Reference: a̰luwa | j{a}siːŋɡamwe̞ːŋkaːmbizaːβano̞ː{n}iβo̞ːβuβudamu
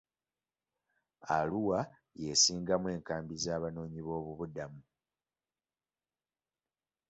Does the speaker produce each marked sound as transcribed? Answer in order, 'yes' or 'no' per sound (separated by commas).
no, no